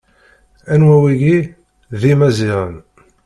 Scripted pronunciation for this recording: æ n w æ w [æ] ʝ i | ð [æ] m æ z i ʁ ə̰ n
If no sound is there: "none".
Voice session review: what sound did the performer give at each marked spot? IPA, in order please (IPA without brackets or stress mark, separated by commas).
i, i